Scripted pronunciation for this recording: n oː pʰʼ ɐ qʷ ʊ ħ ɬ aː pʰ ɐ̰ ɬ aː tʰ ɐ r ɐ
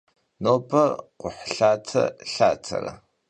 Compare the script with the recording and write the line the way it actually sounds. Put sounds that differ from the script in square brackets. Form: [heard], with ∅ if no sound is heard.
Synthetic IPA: n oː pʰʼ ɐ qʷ ʊ ħ ɬ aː [tʰ] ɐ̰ ɬ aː tʰ ɐ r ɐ